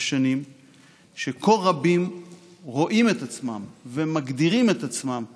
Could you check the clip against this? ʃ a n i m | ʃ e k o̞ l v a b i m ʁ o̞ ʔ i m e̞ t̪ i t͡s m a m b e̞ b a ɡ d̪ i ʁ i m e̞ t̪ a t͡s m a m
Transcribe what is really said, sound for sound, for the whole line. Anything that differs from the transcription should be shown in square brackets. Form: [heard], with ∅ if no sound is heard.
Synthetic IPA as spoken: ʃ a n i m | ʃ e k o̞ l [ʁ] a b i m ʁ o̞ ʔ i m e̞ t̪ [a] t͡s m a m [v] e̞ [m] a ɡ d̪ i ʁ i m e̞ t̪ a t͡s m a m